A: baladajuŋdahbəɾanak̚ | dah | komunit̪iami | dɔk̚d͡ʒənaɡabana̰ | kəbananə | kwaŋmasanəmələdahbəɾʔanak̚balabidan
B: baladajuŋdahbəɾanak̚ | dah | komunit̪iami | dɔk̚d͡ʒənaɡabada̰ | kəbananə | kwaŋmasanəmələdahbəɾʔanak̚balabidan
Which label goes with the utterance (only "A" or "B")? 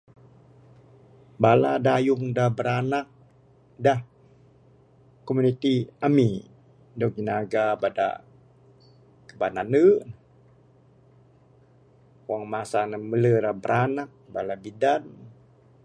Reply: B